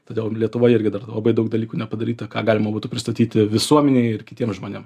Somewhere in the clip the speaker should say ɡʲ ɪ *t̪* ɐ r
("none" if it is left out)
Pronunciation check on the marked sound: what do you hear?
d̪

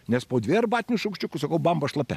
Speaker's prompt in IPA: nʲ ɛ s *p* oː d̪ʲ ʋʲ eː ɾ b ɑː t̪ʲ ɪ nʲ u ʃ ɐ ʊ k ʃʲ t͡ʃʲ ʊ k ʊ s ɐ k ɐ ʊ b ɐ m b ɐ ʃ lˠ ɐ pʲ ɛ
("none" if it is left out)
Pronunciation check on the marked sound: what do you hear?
p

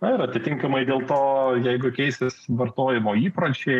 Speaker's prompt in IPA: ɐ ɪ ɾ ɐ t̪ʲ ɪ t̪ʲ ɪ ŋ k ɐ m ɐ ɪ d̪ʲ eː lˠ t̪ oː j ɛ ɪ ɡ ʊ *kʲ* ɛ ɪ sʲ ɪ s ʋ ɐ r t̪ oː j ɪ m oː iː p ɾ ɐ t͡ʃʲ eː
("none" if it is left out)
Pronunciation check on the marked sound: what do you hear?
kʲ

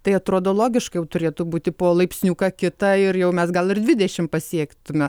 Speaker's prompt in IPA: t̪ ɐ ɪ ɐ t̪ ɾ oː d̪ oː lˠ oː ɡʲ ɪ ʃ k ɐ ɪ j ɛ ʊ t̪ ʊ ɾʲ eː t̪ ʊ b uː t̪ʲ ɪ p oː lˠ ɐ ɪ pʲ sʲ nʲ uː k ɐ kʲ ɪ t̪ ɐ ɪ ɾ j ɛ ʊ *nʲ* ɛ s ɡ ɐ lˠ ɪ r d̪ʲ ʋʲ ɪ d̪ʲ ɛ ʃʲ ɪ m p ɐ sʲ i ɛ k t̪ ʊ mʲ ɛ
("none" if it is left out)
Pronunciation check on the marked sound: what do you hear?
mʲ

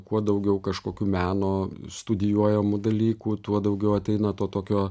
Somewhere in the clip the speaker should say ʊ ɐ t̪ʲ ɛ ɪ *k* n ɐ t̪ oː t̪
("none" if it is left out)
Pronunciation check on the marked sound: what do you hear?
none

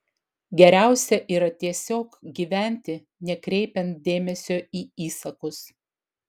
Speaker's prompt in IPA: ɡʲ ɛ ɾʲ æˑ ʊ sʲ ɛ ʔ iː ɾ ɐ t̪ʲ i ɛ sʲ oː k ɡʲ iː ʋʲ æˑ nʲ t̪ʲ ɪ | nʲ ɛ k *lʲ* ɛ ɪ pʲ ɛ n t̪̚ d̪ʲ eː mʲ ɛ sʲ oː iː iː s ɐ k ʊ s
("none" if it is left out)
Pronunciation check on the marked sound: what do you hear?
ɾʲ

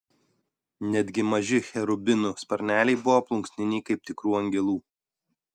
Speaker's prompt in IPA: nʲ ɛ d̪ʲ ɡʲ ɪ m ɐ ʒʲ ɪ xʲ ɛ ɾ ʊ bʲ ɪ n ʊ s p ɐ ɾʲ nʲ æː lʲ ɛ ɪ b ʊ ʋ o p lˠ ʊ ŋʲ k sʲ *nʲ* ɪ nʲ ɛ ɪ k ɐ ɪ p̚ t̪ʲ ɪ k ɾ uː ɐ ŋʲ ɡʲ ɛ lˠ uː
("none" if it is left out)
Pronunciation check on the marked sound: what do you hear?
nʲ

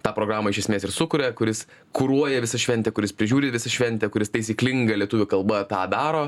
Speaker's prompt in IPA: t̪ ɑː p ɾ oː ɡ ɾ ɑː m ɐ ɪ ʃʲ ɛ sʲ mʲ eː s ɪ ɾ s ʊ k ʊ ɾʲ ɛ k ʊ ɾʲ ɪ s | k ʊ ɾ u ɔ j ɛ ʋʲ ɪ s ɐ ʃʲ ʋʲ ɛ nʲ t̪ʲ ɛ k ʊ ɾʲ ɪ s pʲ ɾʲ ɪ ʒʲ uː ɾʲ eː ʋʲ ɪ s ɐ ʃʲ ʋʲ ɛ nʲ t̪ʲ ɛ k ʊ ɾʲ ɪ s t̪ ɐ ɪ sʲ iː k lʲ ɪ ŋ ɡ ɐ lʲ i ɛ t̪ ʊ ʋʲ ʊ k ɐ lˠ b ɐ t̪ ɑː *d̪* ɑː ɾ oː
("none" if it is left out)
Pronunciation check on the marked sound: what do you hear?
d̪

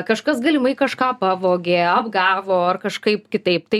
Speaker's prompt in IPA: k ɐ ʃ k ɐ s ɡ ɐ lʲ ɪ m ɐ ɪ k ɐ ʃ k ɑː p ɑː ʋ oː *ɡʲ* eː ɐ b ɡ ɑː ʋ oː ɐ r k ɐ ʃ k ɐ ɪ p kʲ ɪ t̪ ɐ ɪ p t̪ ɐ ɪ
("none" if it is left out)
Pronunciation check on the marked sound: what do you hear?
ɡʲ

